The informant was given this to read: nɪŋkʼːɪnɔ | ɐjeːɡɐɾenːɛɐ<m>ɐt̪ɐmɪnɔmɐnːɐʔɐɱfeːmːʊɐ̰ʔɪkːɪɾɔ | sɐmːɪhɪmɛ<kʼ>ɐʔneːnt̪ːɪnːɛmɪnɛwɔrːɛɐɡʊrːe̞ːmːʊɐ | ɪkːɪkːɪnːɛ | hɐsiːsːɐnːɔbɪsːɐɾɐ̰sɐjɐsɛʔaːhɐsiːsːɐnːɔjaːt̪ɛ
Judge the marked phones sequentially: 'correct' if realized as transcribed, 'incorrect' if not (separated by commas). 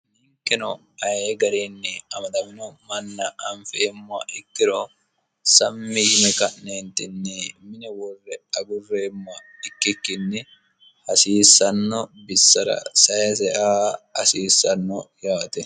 correct, incorrect